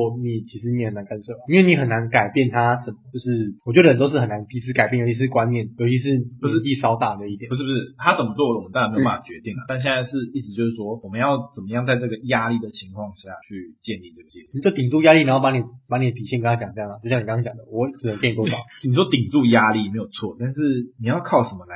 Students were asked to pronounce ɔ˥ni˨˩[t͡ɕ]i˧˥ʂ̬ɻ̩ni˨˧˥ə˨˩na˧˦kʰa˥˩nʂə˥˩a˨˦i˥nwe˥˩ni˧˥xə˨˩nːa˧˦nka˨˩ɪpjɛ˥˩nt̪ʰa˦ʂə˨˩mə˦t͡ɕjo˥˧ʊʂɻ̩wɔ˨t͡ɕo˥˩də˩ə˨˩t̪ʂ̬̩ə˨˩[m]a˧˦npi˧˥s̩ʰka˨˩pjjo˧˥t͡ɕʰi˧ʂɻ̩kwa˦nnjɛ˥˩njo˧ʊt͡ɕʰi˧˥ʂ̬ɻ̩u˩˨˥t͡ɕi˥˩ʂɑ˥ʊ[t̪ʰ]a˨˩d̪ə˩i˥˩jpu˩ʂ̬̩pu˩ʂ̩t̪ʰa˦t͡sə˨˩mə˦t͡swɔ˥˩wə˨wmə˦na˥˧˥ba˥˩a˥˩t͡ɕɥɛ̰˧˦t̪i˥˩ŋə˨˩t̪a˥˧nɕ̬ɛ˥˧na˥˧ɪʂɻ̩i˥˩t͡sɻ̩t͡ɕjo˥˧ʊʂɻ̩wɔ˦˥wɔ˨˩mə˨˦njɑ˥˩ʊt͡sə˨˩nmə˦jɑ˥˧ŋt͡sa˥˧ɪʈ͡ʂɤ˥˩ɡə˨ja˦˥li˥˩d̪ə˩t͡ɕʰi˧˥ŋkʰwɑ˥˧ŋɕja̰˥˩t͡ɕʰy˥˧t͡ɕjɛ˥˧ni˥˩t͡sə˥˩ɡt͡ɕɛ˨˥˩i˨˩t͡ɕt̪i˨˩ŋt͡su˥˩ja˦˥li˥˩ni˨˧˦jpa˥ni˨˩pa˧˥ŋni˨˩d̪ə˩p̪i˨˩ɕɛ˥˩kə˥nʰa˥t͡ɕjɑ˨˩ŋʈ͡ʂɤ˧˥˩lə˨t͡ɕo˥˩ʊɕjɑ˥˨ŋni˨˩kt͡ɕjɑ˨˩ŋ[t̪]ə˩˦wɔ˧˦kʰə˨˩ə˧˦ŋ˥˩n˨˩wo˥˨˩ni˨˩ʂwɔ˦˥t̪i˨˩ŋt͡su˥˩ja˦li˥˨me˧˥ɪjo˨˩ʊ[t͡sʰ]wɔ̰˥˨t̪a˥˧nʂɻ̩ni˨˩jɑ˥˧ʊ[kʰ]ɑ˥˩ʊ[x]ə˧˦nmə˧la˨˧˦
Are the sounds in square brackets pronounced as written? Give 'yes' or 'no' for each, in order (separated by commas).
no, no, no, no, yes, yes, no